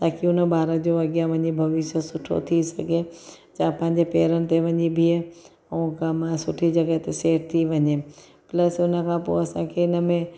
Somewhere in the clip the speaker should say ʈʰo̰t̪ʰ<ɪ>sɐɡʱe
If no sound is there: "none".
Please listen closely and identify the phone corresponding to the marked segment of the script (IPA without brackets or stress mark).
i